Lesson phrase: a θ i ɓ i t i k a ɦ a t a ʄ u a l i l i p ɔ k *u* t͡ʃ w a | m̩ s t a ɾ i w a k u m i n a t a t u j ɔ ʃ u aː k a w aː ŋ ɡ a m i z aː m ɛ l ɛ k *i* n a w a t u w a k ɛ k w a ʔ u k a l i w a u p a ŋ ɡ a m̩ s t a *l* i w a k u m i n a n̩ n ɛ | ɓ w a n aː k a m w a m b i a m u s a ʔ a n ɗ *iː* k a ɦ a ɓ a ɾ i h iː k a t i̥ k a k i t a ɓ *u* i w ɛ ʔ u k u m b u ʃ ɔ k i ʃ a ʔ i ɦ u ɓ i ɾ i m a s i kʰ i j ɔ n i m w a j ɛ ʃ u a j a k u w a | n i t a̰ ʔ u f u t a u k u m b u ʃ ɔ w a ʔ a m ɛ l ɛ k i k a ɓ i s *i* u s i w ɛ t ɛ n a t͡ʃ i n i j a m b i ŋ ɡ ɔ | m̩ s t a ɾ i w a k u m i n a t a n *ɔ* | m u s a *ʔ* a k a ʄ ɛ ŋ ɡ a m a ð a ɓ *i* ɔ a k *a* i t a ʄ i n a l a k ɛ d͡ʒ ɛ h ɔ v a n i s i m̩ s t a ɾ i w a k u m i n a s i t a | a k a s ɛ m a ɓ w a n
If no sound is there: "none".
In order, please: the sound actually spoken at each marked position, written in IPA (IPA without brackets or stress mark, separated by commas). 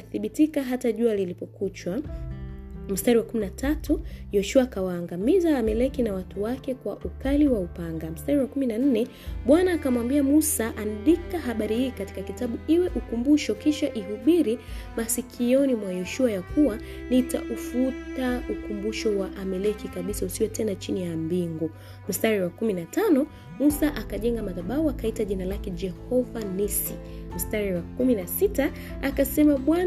u, i, ɾ, i, u, a, ɔ, ʔ, a, a